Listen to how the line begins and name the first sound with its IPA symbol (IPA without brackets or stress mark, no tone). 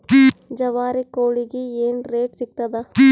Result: d͡ʒ